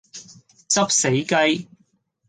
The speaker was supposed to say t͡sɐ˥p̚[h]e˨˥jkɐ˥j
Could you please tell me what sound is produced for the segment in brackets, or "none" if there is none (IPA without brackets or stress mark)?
s